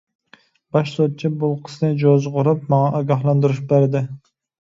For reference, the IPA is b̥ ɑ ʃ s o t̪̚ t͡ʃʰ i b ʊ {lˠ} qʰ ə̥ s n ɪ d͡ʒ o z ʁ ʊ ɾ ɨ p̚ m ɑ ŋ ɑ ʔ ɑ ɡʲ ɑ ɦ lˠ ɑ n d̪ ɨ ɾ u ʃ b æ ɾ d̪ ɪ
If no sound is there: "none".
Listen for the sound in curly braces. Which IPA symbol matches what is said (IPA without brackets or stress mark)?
lˠ